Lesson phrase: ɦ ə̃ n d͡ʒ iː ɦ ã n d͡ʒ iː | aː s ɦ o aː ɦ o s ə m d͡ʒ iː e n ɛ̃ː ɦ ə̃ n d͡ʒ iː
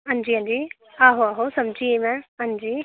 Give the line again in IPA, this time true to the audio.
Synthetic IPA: ɦ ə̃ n d͡ʒ iː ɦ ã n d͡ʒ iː | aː ɦ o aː ɦ o s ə m d͡ʒ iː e m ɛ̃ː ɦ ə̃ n d͡ʒ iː